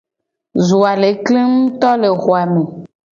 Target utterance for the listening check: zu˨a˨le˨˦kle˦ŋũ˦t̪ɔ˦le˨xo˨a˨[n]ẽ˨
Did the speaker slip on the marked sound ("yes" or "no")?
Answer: yes